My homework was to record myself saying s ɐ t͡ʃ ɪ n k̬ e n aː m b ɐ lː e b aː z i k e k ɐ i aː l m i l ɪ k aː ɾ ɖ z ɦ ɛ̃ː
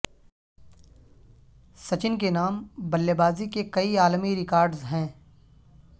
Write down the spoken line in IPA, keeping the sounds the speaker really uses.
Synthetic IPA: s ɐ t͡ʃ ɪ n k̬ e n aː m b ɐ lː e b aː z i k e k ɐ i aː l m i ɾ ɪ k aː ɾ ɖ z ɦ ɛ̃ː